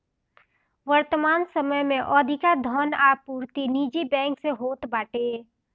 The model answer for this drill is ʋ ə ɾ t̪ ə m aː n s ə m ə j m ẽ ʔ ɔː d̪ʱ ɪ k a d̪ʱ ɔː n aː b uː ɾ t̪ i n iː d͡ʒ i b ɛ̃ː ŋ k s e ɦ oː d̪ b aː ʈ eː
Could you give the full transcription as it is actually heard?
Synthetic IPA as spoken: ʋ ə ɾ t̪ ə m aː n s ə m ə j m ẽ ʔ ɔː d̪ʱ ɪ k a d̪ʱ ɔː n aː p uː ɾ t̪ i n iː d͡ʒ i b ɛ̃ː ŋ k s e ɦ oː t̪ b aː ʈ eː